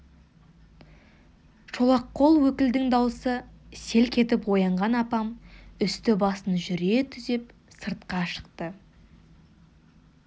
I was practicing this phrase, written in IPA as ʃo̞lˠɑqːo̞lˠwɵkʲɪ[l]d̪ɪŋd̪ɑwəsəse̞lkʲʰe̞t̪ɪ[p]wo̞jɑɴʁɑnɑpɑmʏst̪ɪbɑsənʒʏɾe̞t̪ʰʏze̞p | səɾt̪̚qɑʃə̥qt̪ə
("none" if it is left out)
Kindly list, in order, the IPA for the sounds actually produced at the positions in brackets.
l, p

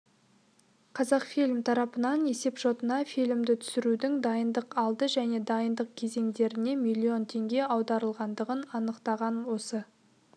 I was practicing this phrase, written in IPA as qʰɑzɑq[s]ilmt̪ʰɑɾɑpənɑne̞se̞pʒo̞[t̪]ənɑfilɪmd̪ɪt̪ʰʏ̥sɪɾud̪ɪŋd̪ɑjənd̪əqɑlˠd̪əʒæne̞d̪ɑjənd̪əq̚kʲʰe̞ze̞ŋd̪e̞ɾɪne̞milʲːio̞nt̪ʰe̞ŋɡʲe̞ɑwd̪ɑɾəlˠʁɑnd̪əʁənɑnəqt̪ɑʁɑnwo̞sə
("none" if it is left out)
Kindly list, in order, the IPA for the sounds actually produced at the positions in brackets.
f, t̪

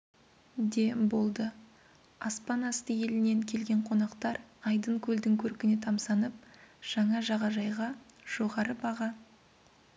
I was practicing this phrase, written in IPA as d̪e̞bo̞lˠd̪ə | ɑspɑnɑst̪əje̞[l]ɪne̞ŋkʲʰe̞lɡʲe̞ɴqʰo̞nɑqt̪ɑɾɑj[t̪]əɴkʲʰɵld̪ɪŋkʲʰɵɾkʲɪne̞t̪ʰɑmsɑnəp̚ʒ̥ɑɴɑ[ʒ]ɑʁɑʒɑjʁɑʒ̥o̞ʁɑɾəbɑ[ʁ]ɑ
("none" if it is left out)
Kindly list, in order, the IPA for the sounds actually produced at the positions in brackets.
l, d̪, ʒ, ʁ

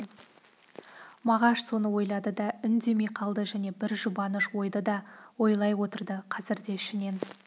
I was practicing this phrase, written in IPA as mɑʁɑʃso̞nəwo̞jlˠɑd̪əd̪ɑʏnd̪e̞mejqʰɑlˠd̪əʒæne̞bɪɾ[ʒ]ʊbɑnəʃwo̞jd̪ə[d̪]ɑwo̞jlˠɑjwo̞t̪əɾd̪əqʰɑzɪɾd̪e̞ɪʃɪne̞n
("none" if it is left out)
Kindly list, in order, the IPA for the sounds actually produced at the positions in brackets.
ʒ, d̪

